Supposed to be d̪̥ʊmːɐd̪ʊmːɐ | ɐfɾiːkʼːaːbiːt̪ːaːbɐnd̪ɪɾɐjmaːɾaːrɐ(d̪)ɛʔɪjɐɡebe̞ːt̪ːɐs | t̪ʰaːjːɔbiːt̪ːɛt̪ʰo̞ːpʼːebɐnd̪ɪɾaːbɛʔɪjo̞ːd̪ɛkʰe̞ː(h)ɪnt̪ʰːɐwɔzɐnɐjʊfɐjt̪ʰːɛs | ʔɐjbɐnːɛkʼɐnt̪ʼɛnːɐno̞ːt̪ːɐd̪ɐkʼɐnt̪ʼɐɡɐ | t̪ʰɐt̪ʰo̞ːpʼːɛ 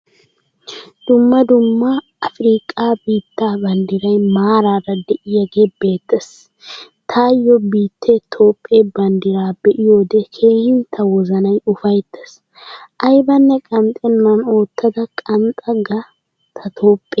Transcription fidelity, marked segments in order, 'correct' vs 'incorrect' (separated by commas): correct, correct